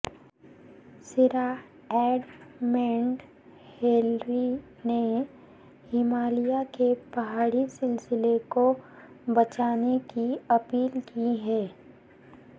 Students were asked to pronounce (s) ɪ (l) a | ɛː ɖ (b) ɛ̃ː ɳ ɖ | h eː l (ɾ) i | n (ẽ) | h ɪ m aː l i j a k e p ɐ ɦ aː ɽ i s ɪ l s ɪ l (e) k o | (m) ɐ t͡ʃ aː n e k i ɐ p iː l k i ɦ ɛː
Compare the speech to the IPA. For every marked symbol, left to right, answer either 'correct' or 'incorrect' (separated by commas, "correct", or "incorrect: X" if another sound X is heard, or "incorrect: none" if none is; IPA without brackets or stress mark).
correct, incorrect: ɾ, incorrect: m, correct, incorrect: e, correct, incorrect: b